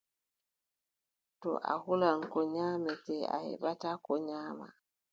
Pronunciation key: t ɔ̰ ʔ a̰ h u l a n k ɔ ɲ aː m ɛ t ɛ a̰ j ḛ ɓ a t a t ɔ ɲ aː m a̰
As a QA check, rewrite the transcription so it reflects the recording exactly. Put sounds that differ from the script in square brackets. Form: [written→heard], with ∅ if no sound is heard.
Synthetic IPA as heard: t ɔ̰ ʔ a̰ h u l a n k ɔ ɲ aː m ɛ t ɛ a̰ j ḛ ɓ a t a [t→k] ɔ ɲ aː m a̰

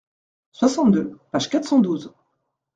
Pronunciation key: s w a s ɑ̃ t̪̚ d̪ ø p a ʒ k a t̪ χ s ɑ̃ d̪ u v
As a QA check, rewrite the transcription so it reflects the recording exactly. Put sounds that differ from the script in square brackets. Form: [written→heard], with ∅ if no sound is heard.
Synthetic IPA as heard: s w a s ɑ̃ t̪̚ d̪ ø p a ʒ k a t̪ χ s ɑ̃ d̪ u [v→z]

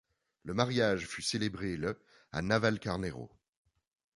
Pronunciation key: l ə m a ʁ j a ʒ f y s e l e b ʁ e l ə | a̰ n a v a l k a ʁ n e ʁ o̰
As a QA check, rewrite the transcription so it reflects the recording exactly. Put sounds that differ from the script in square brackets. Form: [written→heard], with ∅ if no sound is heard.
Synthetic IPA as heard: l ə m a ʁ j a ʒ f y s e l e b ʁ e l ə | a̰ n a v a l k a ʁ n e ʁ o̰

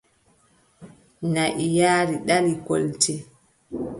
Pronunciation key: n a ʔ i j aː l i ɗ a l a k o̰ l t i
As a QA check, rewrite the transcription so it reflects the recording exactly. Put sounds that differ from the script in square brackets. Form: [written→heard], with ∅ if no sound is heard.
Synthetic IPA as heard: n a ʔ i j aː [l→ɾ] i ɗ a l [a→i] k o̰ l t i

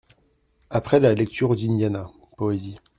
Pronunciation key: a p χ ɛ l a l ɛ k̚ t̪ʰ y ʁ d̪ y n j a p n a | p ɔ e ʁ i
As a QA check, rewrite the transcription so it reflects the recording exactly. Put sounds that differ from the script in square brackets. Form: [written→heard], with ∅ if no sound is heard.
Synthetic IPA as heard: a p χ ɛ l a l ɛ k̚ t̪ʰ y ʁ d̪ [y→i] n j a [p→∅] n a | p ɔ e [ʁ→z] i

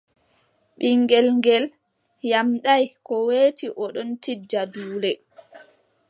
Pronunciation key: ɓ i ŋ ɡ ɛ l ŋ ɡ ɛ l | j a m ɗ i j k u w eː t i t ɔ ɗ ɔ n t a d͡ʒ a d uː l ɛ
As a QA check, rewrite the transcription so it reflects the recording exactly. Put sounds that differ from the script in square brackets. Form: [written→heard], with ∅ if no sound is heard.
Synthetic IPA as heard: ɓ i ŋ ɡ ɛ l ŋ ɡ ɛ l | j a m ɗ [i→a] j k [u→ɔ] w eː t i [t→ʔ] ɔ ɗ ɔ n t [a→i] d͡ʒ a d uː l ɛ

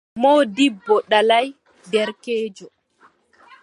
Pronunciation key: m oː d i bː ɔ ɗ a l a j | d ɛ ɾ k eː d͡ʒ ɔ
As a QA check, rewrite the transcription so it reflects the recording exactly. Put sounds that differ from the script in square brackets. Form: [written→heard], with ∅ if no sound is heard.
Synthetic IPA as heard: m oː d i bː ɔ ɗ a l a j | d ɛ ɾ k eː d͡ʒ ɔ

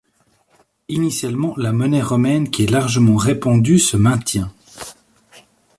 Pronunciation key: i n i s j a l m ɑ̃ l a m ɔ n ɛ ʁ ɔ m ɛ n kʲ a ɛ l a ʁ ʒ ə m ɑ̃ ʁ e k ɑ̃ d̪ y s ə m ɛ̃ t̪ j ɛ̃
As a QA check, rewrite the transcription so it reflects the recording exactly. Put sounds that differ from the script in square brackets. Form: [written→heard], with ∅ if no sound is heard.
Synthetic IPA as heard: i n i s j a l m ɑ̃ l a m ɔ n ɛ ʁ ɔ m ɛ n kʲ [a→i] ɛ l a ʁ ʒ ə m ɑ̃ ʁ e [k→p] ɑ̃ d̪ y s ə m ɛ̃ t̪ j ɛ̃

